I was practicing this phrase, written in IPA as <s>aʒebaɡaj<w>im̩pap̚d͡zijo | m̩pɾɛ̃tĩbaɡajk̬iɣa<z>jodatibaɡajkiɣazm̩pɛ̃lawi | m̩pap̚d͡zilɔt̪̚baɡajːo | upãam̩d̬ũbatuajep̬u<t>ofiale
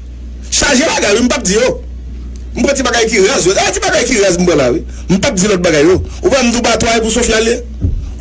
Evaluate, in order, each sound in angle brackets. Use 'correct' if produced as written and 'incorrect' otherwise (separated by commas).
incorrect, correct, correct, incorrect